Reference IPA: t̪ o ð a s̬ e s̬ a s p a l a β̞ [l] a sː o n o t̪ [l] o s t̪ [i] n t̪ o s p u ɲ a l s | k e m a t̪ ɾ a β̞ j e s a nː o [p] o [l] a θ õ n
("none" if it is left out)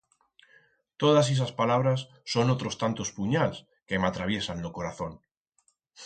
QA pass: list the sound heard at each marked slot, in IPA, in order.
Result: ɾ, ɾ, a, k, ɾ

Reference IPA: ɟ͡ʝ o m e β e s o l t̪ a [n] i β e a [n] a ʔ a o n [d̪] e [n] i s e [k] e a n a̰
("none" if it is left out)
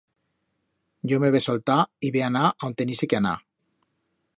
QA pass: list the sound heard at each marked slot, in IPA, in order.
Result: none, n, t̪, n, k

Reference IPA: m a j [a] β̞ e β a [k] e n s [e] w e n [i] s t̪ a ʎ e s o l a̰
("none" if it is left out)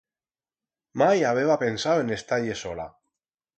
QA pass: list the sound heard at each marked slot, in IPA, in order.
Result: a, p, a, e

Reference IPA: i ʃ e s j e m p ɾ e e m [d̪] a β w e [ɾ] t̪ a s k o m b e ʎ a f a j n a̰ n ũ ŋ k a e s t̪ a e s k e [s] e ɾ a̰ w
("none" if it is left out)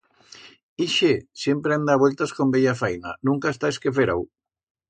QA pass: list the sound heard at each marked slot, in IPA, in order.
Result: d̪, l, f

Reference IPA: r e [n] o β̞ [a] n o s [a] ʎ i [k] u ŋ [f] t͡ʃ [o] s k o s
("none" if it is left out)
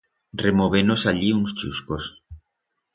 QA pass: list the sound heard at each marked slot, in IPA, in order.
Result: m, e, a, none, s, u

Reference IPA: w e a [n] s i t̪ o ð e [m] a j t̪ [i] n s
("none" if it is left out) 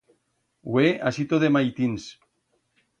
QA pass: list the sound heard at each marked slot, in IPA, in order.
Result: none, m, i

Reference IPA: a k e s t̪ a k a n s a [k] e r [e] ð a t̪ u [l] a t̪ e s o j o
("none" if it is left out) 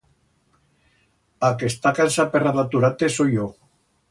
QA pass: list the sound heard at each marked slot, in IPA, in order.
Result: p, a, ɾ

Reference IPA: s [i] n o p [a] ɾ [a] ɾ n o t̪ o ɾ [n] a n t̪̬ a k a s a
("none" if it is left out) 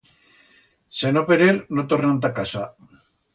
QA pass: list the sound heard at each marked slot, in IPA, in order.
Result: e, e, e, n

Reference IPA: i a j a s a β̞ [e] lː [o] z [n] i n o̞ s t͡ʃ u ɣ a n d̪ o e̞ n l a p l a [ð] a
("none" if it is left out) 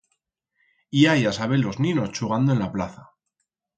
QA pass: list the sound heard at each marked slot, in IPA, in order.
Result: e, o, n, θ

